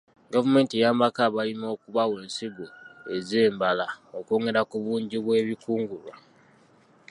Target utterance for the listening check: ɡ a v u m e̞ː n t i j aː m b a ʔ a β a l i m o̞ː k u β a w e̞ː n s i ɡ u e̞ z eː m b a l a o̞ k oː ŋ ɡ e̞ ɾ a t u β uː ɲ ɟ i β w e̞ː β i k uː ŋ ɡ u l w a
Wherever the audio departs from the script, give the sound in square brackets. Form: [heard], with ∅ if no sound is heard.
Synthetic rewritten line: ɡ a v u m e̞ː n t i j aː m b a [k] a β a l i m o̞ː k u β a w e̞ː n s i ɡ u e̞ z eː m b a l a o̞ k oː ŋ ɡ e̞ ɾ a [k] u β uː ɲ ɟ i β w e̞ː β i k uː ŋ ɡ u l w a

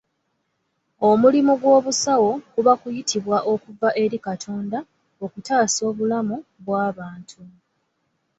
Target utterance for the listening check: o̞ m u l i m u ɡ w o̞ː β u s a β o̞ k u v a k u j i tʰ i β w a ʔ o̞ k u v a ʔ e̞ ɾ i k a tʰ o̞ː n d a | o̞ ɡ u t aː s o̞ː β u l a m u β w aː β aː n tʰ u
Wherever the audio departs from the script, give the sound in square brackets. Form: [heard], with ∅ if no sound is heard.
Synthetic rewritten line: o̞ m u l i m u ɡ w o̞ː β u s a [w] o̞ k u [β] a k u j i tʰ i β w a ʔ o̞ k u v a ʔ e̞ ɾ i k a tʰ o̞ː n d a | o̞ [k] u t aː s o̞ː β u l a m u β w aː β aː n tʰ u

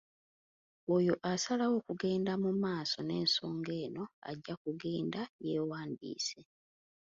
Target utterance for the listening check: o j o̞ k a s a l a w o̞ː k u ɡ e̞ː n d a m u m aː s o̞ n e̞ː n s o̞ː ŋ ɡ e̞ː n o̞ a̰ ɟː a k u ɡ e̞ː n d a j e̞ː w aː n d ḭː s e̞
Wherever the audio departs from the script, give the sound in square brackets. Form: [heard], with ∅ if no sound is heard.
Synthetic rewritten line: o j o̞ [ʔ] a s a l a w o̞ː k u ɡ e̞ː n d a m u m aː s o̞ n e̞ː n s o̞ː ŋ ɡ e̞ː n o̞ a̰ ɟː a k u ɡ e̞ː n d a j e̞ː w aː n d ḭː s e̞

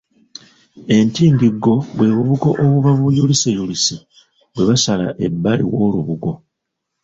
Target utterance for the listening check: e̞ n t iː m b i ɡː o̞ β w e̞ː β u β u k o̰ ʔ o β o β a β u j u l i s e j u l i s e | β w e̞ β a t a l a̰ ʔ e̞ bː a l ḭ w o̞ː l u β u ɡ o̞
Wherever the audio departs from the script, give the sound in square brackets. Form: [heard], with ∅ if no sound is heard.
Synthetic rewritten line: e̞ n t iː m b i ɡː o̞ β w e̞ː β u β u k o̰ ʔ o β [u] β a β u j u l i s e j u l i s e | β w e̞ β a [s] a l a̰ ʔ e̞ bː a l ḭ w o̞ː l u β u ɡ o̞

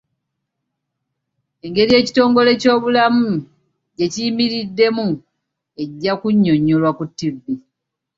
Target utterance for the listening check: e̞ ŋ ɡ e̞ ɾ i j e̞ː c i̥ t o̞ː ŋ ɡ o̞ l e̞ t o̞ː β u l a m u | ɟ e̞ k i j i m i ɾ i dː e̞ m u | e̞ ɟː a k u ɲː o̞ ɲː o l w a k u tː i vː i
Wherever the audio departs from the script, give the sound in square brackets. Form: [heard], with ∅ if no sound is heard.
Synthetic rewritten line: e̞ ŋ ɡ e̞ ɾ i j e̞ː c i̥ t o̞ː ŋ ɡ o̞ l e̞ [c] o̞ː β u l a m u | ɟ e̞ [c] i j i m i ɾ i dː e̞ m u | e̞ ɟː a k u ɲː o̞ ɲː o l w a k u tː i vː i

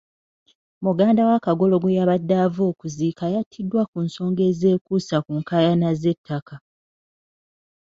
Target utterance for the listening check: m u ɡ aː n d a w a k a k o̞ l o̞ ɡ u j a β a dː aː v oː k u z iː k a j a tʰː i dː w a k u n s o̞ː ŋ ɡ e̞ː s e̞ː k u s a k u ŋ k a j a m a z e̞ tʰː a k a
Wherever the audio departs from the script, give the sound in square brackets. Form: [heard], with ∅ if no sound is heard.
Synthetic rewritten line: m u ɡ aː n d a w a k a [ɡ] o̞ l o̞ ɡ u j a β a dː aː v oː k u z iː k a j a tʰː i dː w a k u n s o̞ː ŋ ɡ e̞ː [z] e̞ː k u s a k u ŋ k a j a [n] a z e̞ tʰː a k a

